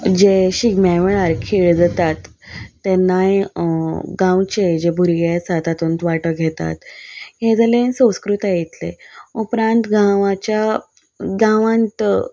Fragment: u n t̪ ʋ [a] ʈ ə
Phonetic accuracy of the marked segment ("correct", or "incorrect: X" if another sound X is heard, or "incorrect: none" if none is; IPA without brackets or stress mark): correct